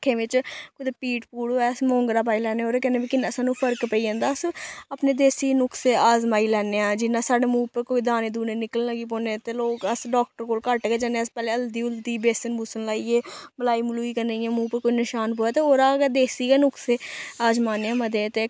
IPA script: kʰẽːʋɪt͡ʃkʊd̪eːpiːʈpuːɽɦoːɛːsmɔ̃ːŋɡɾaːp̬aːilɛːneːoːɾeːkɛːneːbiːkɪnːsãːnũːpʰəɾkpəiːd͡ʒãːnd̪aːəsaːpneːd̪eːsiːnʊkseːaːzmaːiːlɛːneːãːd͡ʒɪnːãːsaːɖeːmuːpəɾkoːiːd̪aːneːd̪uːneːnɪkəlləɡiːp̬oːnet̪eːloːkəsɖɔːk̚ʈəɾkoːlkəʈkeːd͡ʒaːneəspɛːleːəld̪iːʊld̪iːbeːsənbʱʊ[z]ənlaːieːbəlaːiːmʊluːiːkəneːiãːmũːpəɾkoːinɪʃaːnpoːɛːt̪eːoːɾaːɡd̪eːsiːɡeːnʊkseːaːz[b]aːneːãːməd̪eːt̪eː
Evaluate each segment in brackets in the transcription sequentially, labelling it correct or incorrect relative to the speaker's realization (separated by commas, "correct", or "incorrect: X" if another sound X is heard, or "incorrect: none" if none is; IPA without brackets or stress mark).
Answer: incorrect: s, incorrect: m